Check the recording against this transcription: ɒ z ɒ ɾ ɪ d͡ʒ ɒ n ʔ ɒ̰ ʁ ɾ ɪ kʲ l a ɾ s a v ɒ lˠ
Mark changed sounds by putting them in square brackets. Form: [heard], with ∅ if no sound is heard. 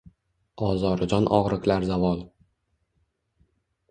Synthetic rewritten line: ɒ z ɒ ɾ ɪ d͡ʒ ɒ n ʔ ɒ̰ ʁ ɾ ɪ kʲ l a ɾ [z] a v ɒ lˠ